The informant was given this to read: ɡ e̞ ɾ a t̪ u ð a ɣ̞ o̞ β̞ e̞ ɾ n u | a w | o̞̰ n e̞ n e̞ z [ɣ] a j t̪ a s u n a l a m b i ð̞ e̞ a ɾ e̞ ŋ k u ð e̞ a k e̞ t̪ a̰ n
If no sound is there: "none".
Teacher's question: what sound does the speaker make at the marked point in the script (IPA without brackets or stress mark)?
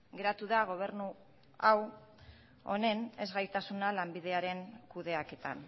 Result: ɣ